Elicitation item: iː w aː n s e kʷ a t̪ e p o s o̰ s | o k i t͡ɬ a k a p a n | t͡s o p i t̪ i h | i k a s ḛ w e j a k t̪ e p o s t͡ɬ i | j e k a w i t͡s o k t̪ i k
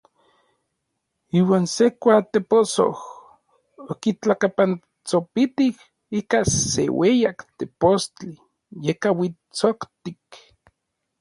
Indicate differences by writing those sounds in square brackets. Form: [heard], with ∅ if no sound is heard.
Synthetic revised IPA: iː w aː n s e kʷ a t̪ e p o s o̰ [h] | o k i t͡ɬ a k a p a n | t͡s o p i t̪ i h | i k a s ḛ w e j a k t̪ e p o s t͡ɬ i | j e k a w i t͡s o k t̪ i k

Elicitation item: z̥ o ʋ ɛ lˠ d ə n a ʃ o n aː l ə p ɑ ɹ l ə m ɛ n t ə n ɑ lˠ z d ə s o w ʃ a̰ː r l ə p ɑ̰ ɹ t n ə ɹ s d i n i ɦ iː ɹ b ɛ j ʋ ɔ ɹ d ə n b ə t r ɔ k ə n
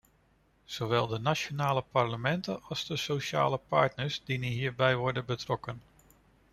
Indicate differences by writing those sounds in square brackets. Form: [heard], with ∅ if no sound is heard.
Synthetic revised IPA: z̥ o ʋ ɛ lˠ d ə n a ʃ o n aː l ə p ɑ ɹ l ə m ɛ n t ə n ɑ lˠ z d ə s o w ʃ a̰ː [∅] l ə p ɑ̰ ɹ t n ə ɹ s d i n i ɦ iː ɹ b ɛ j ʋ ɔ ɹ d ə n b ə t r ɔ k ə n

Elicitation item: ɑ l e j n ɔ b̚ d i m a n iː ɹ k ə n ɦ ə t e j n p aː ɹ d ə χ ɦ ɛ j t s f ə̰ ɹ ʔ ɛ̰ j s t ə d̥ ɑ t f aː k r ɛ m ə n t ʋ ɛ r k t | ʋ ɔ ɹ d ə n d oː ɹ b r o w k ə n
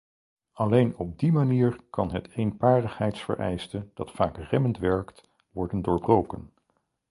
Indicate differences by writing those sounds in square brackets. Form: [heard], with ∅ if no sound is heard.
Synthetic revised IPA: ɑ l e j n ɔ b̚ d i m a n iː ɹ k [ɑ] n ɦ ə t e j n p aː ɹ d ə χ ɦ ɛ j t s f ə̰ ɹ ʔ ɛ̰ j s t ə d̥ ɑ t f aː k r ɛ m ə n t ʋ ɛ [ɹ] k t | ʋ ɔ ɹ d ə n d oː ɹ b r o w k ə n

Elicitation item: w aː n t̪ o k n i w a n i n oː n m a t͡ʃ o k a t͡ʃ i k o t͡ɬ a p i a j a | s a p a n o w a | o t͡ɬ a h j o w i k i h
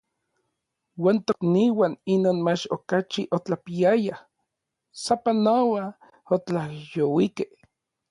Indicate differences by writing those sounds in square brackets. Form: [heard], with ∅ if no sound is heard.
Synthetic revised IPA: w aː n t̪ o k n i w a n i n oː n m a t͡ʃ o k a t͡ʃ i [ʔ] o t͡ɬ a p i a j a | s a p a n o w a | o t͡ɬ a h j o w i k [e] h

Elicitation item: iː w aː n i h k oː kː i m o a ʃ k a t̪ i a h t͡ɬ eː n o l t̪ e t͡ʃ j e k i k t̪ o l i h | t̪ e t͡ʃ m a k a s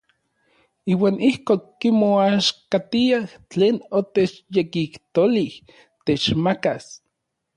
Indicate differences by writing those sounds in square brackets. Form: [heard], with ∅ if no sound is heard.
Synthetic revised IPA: iː w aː n i h k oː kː i m o a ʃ k a t̪ i a h t͡ɬ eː n o [∅] t̪ e t͡ʃ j e k i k t̪ o l i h | t̪ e t͡ʃ m a k a s

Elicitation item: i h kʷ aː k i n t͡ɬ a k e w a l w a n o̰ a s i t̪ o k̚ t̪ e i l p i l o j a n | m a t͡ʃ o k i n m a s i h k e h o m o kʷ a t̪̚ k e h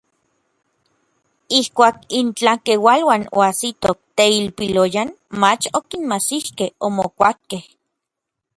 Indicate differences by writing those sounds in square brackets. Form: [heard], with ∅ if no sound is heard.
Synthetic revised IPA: i h kʷ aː k i n t͡ɬ a k e w a l w a n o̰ a s i t̪ o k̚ t̪ e i l p i l o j a n | m a t͡ʃ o k i n m a s i h k e h o m o kʷ a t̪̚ k e h

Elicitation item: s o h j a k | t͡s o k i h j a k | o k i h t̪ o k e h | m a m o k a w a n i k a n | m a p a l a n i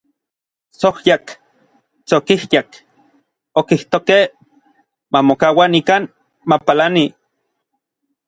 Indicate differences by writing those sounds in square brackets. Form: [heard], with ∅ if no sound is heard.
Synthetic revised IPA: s o h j a k | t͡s o k i h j a k | o k i h t̪ o k e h | m a m o k a w a n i k a n | m a p a l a n i

